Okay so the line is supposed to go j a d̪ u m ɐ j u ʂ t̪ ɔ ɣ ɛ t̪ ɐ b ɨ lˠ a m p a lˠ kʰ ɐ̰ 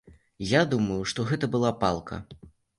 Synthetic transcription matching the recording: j a d̪ u m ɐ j u ʂ t̪ ɔ ɣ ɛ t̪ ɐ b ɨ lˠ a p a lˠ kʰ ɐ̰